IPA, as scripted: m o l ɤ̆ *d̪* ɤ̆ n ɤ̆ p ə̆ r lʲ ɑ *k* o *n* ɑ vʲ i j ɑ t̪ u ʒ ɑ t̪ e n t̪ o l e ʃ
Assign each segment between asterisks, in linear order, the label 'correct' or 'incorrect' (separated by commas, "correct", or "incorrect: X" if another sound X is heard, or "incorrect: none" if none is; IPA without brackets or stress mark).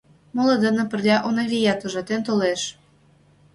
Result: correct, incorrect: ʔ, correct